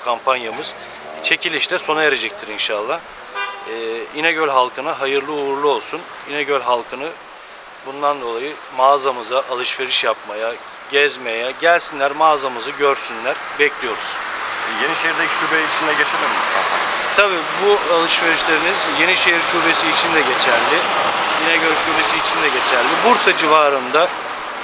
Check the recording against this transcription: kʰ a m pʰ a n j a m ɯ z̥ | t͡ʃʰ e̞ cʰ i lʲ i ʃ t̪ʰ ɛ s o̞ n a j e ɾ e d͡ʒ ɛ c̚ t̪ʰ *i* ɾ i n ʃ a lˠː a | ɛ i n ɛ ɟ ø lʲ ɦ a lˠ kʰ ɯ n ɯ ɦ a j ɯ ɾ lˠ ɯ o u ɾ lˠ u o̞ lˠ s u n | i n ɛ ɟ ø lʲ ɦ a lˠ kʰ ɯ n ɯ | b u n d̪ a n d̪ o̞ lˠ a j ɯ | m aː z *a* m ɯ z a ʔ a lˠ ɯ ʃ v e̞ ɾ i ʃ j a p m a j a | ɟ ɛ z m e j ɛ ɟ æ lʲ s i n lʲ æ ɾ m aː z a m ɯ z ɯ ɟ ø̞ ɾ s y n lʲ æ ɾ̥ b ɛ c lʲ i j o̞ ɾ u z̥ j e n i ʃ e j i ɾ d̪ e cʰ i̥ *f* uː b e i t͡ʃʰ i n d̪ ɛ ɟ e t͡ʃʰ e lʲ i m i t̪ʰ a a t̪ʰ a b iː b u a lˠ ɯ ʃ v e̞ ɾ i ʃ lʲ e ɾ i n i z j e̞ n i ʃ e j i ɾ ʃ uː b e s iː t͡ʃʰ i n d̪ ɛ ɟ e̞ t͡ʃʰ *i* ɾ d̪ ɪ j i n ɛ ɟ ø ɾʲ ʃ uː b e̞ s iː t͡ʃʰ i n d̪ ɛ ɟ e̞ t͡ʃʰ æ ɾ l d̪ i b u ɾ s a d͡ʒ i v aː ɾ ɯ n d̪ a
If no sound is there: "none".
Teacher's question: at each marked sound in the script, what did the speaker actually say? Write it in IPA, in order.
i, a, ʃ, æ

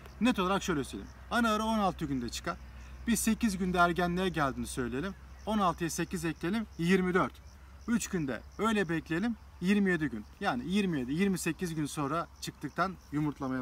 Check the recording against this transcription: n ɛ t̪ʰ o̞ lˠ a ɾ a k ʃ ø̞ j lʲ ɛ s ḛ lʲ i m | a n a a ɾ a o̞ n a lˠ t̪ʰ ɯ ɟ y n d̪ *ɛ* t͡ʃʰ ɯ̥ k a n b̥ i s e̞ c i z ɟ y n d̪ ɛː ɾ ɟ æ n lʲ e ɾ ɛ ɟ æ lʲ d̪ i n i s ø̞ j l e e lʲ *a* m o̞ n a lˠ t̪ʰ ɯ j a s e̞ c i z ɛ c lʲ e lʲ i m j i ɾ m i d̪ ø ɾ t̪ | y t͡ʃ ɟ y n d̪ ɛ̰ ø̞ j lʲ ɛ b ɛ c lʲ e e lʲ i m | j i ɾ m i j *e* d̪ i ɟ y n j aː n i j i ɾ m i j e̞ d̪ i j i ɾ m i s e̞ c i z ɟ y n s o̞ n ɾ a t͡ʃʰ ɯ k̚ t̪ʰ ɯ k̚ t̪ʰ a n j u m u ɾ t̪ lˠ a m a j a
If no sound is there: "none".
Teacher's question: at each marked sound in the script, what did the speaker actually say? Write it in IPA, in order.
ɛ, i, e

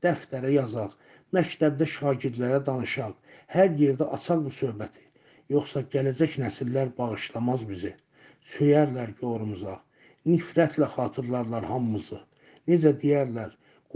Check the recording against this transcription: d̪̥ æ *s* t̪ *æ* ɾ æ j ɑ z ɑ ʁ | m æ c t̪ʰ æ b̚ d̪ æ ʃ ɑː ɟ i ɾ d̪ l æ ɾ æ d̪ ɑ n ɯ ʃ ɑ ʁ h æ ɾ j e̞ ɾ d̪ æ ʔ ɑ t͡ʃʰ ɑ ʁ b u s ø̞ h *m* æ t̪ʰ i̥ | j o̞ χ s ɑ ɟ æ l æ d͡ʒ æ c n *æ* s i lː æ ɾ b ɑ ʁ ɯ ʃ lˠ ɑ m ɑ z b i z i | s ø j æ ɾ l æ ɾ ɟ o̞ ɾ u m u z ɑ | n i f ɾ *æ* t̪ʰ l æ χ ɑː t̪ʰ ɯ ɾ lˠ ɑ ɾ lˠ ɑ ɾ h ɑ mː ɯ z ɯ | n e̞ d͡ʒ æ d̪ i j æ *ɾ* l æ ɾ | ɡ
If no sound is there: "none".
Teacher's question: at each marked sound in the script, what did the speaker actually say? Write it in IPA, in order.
f, æ, b, æ, æ, ɾ

